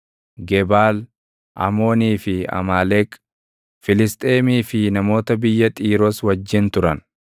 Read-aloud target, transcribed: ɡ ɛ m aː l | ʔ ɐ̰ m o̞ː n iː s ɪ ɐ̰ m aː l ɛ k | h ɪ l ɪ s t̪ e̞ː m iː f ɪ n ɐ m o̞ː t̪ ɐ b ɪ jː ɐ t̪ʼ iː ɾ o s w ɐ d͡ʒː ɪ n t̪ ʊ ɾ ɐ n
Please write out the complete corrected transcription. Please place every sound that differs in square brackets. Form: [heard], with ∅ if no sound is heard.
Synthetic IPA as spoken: ɡ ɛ [b] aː l | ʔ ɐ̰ m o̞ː n iː [f] ɪ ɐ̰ m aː l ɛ k | [f] ɪ l ɪ s [t̪ʼ] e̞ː m iː f ɪ n ɐ m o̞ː t̪ ɐ b ɪ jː ɐ t̪ʼ iː ɾ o s w ɐ d͡ʒː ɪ n t̪ ʊ ɾ ɐ n